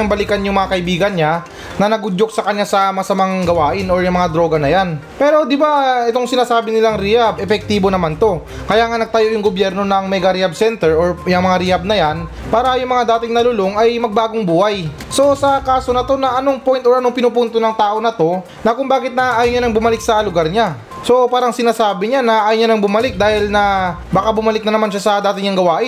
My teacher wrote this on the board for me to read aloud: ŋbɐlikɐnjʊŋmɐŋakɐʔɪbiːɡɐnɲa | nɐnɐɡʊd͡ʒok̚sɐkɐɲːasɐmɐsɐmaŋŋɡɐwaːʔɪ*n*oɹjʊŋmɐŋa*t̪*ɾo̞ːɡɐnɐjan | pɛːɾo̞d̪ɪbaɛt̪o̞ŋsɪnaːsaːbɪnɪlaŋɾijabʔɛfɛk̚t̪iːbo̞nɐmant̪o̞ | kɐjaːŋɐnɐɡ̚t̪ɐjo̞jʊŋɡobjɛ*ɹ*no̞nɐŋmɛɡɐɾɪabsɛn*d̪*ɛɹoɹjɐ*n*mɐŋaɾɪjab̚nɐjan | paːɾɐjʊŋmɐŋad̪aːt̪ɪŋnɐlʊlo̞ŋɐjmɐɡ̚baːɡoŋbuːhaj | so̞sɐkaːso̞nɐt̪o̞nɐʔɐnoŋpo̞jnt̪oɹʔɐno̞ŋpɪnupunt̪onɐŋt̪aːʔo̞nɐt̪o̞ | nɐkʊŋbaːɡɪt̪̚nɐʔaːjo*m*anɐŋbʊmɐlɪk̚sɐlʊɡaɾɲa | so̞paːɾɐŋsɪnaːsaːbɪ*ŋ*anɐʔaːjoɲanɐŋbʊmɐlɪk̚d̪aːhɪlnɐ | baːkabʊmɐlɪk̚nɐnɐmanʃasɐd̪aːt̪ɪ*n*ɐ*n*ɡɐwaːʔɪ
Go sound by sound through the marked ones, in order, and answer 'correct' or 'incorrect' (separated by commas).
correct, incorrect, incorrect, incorrect, incorrect, incorrect, incorrect, incorrect, incorrect